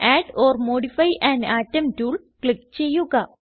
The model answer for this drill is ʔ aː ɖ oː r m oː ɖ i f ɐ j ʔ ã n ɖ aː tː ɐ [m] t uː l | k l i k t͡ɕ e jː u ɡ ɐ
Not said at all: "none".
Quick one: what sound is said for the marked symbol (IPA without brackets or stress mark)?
m